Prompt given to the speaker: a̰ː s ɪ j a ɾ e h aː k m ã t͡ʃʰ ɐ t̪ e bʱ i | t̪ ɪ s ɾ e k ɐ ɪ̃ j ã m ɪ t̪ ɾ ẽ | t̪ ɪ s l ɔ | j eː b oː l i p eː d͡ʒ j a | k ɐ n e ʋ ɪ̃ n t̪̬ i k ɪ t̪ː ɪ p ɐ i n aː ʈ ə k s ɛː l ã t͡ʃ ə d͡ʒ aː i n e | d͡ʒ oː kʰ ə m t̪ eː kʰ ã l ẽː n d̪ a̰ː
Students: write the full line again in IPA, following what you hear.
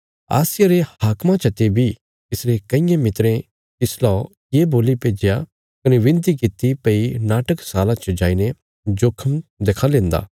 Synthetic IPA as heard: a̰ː s ɪ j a ɾ e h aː k m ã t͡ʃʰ ɐ t̪ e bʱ i | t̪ ɪ s ɾ e k ɐ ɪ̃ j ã m ɪ t̪ ɾ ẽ | t̪ ɪ s l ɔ | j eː b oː l i p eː d͡ʒ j a | k ɐ n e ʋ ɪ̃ n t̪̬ i k ɪ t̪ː i p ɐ i n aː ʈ ə k s aː l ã t͡ʃ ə d͡ʒ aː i n e | d͡ʒ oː kʰ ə m d̪ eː kʰ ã l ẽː n d̪ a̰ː